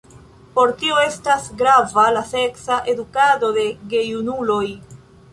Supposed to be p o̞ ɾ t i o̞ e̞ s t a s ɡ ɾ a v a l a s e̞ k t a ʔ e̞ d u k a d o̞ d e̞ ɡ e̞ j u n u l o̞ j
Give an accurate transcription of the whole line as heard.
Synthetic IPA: p o̞ ɾ t i o̞ e̞ s t a s ɡ ɾ a v a l a s e̞ k s a ʔ e̞ d u k a d o̞ d e̞ ɡ e̞ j u n u l o̞ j